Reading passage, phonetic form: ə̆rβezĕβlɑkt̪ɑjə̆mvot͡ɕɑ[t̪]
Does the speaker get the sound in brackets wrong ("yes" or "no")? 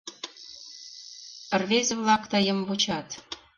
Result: no